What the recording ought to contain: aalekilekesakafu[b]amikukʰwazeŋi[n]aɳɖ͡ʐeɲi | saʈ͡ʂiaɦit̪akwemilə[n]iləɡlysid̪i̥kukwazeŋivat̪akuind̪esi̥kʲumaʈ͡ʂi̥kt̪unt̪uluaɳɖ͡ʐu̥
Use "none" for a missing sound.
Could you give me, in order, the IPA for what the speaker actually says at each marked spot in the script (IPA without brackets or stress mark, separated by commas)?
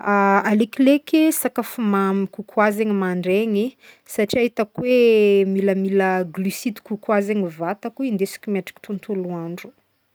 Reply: m, m, m